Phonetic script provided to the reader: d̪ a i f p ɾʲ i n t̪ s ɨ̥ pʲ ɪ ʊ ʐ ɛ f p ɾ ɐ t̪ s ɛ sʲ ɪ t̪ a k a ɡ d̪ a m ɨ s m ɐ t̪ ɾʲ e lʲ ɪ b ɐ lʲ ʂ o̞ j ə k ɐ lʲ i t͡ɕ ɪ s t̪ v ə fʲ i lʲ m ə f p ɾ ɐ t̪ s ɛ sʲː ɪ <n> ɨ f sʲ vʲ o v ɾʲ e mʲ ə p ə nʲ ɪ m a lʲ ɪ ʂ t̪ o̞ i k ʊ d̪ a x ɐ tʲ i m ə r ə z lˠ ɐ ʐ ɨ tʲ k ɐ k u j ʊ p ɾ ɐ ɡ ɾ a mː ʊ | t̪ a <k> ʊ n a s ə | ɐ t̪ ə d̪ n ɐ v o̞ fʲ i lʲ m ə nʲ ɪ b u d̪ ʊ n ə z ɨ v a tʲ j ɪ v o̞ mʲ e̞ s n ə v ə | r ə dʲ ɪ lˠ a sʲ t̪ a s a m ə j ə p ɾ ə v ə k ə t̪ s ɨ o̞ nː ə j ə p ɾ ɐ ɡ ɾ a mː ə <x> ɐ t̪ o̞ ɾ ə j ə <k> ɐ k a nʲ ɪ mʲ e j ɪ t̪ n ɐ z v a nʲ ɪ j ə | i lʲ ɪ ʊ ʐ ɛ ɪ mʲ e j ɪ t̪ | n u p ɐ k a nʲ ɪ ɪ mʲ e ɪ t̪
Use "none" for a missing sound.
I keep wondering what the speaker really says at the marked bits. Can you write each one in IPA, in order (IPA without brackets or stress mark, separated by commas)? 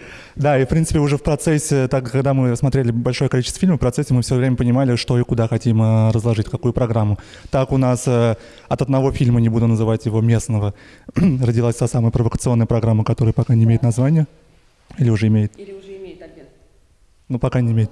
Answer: m, k, k, p